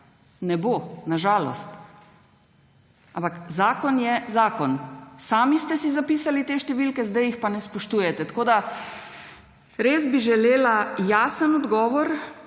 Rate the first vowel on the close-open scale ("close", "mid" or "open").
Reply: mid